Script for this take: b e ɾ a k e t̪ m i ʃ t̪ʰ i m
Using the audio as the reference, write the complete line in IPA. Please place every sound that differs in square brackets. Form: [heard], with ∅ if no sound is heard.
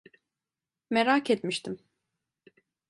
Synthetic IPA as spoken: [m] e ɾ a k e t̪ m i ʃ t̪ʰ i m